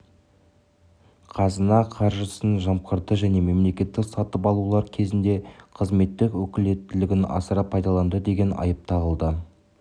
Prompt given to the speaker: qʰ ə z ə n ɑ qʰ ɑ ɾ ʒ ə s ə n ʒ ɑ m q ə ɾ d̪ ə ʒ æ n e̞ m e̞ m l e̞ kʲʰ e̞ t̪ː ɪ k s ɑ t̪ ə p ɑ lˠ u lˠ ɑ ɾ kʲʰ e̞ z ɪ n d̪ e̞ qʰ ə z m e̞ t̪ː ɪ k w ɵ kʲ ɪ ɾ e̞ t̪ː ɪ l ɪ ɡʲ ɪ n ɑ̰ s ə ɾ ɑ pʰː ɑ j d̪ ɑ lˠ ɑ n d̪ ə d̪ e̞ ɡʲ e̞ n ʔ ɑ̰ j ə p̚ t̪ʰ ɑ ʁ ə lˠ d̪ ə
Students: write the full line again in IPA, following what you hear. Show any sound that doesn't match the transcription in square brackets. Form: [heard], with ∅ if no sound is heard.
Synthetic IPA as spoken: qʰ [ɑ] z ə n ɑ qʰ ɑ ɾ ʒ ə s ə n ʒ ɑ m q ə ɾ d̪ ə ʒ æ n e̞ m e̞ m l e̞ [kʲ] e̞ t̪ː ɪ k s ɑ t̪ ə p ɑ lˠ u lˠ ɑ ɾ kʲʰ e̞ z ɪ n d̪ e̞ qʰ ə z m e̞ t̪ː ɪ k w ɵ kʲ ɪ [l] e̞ t̪ː ɪ l ɪ ɡʲ ɪ n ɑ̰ s ə ɾ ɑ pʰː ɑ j d̪ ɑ lˠ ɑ n d̪ ə d̪ e̞ ɡʲ e̞ n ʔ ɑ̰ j ə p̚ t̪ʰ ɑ ʁ ə lˠ d̪ ə